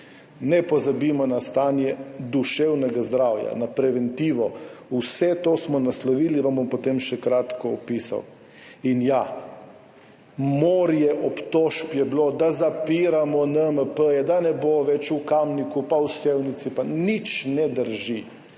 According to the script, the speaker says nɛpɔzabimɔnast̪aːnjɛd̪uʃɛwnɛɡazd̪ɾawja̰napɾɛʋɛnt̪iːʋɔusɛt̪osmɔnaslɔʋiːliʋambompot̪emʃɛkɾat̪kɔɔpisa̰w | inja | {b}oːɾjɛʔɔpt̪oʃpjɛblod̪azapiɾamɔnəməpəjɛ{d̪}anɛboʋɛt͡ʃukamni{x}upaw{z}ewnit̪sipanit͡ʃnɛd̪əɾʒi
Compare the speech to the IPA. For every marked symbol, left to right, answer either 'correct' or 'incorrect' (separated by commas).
incorrect, correct, incorrect, incorrect